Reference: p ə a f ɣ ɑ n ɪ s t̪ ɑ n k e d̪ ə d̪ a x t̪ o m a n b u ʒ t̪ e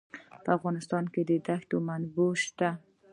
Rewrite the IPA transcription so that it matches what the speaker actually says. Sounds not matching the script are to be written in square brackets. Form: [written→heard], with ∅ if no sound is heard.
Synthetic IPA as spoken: p ə a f ɣ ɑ n ɪ s t̪ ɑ n k e d̪ ə d̪ a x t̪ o m a n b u [ʒ→ʃ] t̪ [e→a]